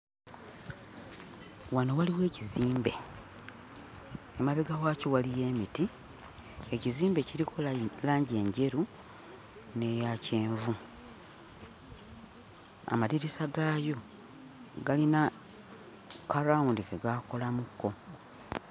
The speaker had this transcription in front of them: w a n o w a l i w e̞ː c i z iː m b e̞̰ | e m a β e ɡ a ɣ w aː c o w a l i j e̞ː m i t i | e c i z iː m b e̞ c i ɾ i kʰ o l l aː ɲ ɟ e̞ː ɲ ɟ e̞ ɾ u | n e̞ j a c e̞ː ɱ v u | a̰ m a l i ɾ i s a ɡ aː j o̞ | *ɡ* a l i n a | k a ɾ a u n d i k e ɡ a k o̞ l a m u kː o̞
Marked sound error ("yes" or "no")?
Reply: no